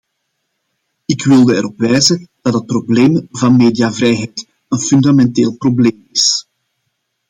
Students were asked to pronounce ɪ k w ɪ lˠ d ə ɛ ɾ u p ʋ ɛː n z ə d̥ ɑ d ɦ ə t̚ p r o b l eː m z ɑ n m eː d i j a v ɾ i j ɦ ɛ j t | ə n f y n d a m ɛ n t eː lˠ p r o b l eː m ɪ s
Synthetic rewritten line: ɪ k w ɪ lˠ d ə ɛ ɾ ɔ p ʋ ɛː z ə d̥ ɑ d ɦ ə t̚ p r o b l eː m v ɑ n m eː d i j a v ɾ ɛ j ɦ ɛ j t | ə n f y n d a m ɛ n t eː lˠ p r o b l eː m ɪ s